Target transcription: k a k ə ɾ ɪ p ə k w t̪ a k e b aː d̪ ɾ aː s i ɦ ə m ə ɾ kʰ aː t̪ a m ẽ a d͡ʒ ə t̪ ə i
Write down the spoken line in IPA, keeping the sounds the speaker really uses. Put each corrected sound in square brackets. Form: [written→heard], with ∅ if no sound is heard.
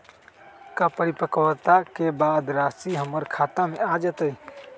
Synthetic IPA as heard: k a [k→p] ə ɾ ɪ p ə k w t̪ a k e b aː d̪ ɾ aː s i ɦ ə m ə ɾ kʰ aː t̪ a m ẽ a d͡ʒ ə t̪ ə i